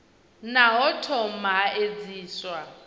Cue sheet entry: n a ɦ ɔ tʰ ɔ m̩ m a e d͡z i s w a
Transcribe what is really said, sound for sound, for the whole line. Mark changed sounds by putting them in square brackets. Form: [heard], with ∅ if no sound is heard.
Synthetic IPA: n a ɦ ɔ tʰ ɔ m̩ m a e d͡z [iː] s w a